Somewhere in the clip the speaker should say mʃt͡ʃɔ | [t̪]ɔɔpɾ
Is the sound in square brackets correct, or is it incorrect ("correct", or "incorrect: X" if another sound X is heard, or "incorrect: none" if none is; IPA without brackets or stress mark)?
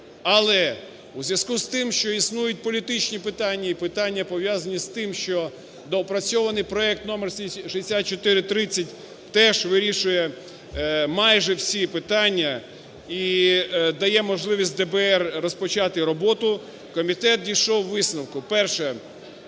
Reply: incorrect: d̪